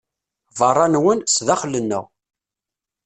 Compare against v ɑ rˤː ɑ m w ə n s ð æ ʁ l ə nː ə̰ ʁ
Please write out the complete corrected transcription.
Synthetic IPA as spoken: v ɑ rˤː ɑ n w ə n s ð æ χ l ə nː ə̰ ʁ